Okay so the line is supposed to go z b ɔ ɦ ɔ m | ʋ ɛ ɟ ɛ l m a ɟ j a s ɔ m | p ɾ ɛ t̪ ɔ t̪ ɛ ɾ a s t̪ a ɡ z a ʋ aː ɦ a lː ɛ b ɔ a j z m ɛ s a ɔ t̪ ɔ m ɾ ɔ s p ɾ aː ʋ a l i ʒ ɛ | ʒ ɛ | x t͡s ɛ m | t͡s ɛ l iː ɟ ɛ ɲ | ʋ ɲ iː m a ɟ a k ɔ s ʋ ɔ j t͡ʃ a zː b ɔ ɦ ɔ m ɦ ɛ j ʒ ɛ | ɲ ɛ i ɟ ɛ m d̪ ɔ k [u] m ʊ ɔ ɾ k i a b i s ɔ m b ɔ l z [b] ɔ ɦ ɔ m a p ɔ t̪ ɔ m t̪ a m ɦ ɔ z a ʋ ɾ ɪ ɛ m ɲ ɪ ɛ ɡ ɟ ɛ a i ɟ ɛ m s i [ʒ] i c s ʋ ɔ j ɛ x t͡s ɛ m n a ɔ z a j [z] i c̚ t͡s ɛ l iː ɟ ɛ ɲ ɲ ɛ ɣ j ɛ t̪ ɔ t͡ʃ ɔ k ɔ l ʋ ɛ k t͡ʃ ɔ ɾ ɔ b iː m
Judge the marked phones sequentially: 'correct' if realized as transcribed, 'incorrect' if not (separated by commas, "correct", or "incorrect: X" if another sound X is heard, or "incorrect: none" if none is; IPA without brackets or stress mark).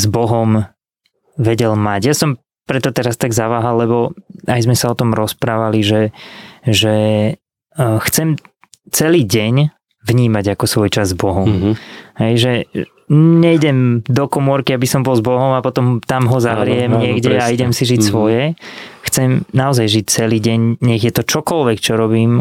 incorrect: ɔ, correct, correct, incorrect: ʒ